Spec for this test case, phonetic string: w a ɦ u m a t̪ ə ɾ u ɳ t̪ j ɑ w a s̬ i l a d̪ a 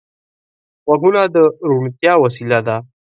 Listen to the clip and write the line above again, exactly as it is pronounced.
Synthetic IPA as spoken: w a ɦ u n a d̪ ə ɾ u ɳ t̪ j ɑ w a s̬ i l a d̪ a